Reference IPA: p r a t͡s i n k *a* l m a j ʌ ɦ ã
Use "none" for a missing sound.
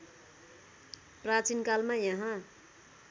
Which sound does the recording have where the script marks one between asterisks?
a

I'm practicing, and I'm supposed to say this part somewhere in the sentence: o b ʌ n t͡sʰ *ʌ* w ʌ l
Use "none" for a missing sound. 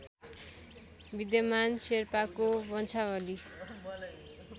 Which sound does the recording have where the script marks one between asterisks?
a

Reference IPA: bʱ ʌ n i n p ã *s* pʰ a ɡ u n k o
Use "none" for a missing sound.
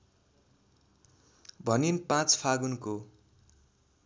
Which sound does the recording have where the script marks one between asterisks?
t͡s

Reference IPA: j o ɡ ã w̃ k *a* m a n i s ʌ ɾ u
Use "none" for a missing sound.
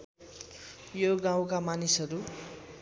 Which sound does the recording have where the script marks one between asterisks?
a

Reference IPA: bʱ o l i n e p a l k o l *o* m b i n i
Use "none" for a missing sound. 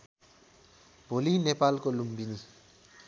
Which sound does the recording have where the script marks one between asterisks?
u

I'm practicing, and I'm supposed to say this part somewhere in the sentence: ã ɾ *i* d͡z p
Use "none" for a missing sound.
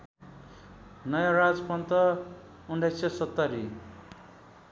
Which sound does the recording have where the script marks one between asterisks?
a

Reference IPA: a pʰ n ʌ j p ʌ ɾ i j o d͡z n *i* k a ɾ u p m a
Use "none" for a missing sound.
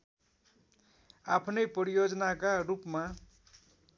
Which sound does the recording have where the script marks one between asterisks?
a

